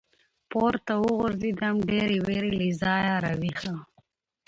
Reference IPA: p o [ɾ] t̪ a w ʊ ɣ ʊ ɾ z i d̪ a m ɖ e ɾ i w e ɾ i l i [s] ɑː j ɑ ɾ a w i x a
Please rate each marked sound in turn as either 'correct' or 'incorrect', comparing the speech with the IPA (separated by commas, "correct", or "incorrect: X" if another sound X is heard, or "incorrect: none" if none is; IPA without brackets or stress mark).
correct, incorrect: z